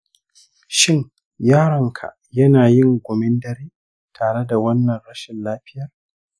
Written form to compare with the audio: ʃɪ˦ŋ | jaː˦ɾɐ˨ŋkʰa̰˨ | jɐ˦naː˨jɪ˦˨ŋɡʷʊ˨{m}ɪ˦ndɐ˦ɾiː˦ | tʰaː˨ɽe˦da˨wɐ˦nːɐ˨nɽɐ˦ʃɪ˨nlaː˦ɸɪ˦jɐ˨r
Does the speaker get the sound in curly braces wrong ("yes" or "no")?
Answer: no